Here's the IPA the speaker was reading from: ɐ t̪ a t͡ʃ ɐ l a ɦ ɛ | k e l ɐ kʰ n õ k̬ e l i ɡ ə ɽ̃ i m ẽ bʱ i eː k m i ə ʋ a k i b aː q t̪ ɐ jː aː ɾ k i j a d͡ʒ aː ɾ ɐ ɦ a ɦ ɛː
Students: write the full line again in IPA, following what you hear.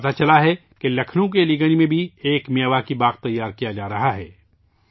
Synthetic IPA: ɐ t̪ a t͡ʃ ɐ l a ɦ ɛ | k e l ɐ kʰ n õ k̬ e l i ɡ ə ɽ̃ i m ẽ bʱ i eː k m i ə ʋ a k i b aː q t̪ ɐ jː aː ɾ k i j a d͡ʒ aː ɾ ɐ ɦ a ɦ ɛː